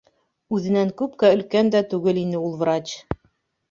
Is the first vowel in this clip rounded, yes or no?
yes